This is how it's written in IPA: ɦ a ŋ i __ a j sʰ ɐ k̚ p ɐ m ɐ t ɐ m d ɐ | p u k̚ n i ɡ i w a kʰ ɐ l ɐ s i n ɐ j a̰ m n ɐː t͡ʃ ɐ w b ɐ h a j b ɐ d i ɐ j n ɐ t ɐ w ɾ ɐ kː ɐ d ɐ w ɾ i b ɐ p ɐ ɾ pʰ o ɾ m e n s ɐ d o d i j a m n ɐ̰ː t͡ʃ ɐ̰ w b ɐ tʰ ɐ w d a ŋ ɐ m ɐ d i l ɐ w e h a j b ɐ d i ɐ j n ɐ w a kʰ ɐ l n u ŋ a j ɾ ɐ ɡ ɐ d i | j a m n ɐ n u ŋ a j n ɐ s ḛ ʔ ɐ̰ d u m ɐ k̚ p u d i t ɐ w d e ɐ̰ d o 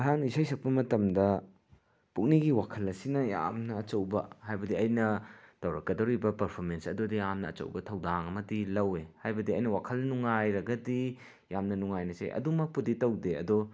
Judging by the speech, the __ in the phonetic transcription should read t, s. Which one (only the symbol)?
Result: s